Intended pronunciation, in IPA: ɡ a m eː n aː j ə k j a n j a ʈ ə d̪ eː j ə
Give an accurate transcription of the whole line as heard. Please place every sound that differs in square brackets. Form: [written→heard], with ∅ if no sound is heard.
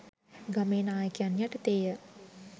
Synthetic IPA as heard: ɡ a m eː n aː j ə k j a n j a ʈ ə [d̪→t̪] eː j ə